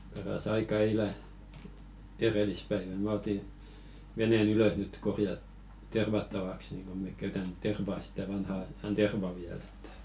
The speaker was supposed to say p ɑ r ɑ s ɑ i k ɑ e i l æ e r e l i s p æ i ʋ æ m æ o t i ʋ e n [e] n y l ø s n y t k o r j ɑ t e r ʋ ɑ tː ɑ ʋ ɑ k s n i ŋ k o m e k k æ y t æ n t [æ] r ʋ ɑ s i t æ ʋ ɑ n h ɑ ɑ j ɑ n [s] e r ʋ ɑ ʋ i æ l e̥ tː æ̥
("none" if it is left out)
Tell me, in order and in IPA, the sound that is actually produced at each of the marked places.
e, e, t

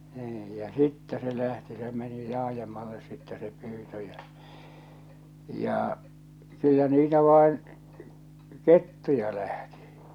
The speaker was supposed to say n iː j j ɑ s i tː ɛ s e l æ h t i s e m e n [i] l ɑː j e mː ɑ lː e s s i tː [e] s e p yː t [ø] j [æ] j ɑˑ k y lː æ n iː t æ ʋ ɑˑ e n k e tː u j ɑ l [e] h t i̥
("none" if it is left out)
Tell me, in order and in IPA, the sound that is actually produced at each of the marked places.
i, ɛ, ø, æ, æ

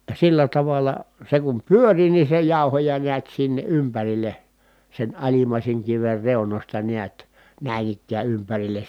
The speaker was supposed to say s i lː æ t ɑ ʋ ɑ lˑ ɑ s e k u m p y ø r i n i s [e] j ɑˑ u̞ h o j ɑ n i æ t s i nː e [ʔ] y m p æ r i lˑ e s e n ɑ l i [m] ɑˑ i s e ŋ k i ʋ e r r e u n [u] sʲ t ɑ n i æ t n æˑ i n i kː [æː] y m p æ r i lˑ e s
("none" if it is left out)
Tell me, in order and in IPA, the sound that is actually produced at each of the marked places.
e, ʔ, m, o, æː

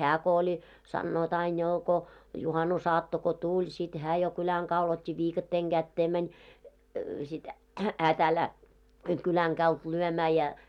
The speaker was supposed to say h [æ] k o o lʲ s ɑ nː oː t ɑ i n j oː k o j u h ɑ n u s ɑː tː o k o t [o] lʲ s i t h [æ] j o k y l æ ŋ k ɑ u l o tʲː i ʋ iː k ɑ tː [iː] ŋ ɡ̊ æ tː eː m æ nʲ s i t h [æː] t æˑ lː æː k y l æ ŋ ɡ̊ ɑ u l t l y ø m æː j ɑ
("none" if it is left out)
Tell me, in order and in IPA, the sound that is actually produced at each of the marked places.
æː, u, æː, eː, æː

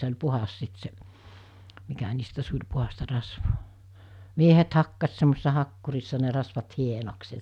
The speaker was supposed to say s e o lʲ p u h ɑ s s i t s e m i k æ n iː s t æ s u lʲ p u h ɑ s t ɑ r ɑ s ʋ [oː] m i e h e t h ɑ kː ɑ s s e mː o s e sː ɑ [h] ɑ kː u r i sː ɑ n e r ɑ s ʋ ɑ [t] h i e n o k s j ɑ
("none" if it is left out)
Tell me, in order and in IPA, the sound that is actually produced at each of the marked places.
oː, h, t

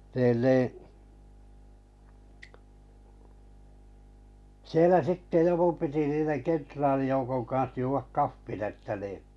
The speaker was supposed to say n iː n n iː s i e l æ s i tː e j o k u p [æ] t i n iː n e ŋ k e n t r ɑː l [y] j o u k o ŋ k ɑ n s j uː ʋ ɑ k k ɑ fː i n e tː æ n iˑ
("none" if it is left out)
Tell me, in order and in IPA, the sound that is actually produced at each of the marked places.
i, i

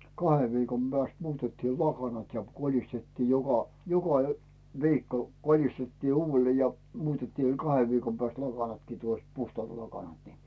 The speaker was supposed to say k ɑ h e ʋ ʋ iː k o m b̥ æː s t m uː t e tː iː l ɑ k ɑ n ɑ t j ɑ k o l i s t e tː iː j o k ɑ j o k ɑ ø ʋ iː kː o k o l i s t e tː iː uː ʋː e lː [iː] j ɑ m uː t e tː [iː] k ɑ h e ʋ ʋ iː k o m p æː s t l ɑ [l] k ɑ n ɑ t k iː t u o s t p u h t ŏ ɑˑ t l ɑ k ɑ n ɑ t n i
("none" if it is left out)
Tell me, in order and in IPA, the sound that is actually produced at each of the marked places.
eː, iː, none

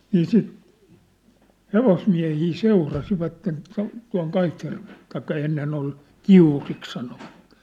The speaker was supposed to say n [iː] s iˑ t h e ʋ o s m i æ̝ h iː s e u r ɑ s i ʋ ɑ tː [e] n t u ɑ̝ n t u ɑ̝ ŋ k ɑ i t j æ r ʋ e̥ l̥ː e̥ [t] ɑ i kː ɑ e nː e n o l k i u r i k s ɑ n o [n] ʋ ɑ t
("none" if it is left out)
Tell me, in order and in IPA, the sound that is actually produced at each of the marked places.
iː, e, t, none

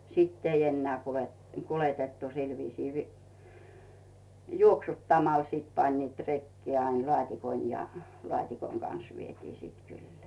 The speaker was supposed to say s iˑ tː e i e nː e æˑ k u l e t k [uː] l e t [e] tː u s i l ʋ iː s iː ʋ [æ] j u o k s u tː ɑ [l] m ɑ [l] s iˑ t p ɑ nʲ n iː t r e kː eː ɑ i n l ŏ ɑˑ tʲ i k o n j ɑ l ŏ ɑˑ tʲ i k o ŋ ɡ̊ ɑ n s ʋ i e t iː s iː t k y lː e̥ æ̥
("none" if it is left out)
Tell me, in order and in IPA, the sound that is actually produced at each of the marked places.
u, e, i, none, l

